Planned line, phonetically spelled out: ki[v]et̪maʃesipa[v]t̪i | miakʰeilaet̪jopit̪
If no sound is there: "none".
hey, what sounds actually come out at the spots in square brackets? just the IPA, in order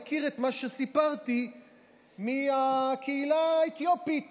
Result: ʁ, ʁ

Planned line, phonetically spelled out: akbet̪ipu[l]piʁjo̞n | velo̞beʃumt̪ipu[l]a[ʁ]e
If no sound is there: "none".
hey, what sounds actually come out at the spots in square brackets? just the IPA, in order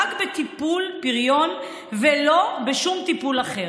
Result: l, l, χ

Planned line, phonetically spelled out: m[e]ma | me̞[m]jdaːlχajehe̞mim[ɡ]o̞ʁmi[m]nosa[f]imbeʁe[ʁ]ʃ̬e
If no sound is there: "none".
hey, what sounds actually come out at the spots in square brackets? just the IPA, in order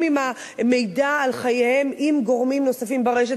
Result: i, none, ɡ, m, f, none

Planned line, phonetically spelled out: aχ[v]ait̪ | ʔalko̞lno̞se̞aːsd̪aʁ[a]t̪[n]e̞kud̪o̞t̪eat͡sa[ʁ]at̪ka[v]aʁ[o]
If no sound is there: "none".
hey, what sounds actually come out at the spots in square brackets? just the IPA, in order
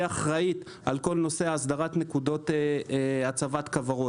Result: ʁ, a, n, v, v, o

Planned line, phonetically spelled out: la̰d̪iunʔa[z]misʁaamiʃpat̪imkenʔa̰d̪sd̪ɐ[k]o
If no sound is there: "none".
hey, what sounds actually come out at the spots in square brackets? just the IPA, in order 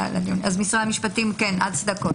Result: z, k

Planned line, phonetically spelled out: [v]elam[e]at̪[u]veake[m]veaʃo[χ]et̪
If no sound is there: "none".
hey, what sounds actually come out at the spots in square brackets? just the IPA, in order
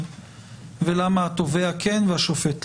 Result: v, a, o, n, f

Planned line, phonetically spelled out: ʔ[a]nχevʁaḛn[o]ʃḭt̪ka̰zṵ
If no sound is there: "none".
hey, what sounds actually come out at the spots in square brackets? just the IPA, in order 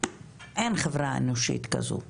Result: e, o

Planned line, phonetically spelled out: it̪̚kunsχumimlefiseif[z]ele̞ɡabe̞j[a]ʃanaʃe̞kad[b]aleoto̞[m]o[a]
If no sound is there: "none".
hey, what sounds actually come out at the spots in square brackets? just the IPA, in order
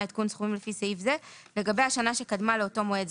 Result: z, a, m, m, e

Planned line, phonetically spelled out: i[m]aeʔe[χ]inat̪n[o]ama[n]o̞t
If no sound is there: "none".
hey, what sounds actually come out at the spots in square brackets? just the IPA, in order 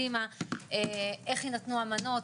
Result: m, χ, u, n

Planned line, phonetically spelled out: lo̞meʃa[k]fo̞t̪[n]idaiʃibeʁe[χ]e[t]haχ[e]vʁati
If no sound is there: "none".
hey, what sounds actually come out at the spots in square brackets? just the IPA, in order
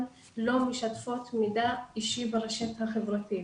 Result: t, m, ʃ, t, e

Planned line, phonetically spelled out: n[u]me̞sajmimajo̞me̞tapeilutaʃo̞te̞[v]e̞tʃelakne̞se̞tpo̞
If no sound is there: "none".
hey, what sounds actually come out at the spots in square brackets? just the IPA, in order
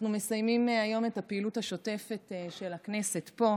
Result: u, f

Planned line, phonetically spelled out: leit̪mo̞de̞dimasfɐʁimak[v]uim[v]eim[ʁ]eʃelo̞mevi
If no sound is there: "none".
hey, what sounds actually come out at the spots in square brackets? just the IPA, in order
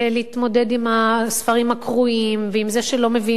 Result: ʁ, v, z

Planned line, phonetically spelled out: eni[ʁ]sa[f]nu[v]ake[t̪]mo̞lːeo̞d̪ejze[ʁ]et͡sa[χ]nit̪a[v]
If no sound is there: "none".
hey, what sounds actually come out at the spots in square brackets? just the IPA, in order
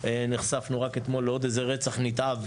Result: χ, f, ʁ, t̪, ʁ, χ, v

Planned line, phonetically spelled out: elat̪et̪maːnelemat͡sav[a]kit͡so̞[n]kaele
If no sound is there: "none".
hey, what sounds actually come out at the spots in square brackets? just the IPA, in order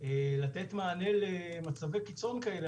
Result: e, n

